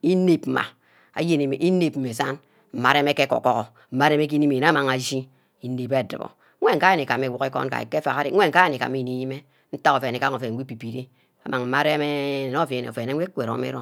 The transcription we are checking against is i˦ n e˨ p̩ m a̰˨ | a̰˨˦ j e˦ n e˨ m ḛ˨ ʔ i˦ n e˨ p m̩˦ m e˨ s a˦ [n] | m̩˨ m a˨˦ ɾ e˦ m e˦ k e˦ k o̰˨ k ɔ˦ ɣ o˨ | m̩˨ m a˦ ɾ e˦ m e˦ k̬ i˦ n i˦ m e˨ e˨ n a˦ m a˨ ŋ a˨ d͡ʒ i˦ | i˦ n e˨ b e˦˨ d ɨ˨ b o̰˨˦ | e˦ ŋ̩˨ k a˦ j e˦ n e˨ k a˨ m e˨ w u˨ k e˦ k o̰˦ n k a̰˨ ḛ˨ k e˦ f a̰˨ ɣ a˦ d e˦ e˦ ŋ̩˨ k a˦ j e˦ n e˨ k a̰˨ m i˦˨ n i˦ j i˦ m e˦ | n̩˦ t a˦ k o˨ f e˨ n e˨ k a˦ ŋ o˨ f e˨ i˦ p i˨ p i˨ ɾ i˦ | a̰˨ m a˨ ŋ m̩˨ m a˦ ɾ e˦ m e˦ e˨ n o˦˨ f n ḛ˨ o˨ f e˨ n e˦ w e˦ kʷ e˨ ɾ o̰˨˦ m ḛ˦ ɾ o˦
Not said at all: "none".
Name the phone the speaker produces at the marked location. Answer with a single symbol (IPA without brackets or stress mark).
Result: n